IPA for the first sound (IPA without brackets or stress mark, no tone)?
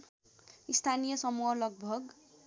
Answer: i